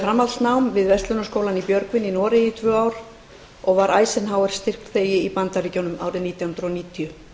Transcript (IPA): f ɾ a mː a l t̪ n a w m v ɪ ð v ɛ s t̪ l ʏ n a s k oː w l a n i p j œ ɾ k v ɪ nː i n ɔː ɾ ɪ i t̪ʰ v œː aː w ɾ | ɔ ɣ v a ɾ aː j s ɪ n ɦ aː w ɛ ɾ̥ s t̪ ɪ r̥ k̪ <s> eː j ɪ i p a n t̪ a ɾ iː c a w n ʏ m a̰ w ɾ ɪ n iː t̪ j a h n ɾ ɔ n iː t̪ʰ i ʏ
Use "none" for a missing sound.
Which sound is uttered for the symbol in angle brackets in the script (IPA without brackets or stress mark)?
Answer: θ